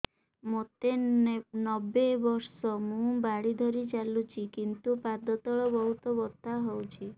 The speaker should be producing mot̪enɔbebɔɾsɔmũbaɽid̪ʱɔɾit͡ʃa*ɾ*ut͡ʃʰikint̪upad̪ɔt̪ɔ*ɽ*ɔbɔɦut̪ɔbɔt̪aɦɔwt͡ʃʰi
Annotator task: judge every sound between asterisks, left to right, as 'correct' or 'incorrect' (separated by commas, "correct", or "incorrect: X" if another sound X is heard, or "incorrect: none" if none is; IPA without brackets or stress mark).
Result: incorrect: l, incorrect: ɭ